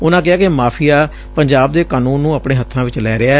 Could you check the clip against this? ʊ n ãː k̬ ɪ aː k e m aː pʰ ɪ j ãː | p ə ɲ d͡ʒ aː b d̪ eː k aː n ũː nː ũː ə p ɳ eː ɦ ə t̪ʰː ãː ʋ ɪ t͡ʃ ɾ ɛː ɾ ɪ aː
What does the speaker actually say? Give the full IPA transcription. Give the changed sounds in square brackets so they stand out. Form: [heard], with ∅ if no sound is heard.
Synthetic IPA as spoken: ʊ n ãː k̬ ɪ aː k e m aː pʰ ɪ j [aː] | p ə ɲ d͡ʒ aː b d̪ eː k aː n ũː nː ũː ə p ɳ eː ɦ ə t̪ʰː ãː ʋ ɪ t͡ʃ [l] ɛː ɾ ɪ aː